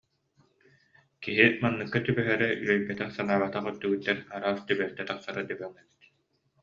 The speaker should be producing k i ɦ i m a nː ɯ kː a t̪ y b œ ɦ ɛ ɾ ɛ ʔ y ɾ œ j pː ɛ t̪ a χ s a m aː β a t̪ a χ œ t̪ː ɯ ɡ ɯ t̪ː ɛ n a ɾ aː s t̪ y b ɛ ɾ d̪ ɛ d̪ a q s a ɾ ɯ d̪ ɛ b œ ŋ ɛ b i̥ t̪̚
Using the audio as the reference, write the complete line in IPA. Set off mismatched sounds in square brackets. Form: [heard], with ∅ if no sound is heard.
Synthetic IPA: k i ɦ i m a nː ɯ kː a t̪ y b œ ɦ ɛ ɾ ɛ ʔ y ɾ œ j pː ɛ t̪ [ɛ] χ s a [n] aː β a t̪ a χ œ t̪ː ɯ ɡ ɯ t̪ː ɛ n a ɾ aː s t̪ y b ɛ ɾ [t̪] ɛ [t̪] a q s a ɾ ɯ d̪ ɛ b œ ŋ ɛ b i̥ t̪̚